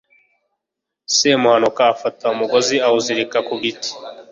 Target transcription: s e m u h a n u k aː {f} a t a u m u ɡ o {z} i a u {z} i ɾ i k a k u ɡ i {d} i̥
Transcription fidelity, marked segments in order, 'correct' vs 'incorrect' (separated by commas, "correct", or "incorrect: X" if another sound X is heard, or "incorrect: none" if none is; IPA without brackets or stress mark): correct, correct, correct, incorrect: t